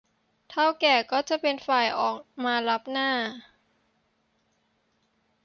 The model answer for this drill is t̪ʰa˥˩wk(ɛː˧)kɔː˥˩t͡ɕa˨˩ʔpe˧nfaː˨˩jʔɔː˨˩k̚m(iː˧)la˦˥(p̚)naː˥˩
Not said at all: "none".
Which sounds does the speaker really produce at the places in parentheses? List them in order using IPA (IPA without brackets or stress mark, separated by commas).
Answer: ɛː˨˩, aː˧, p̚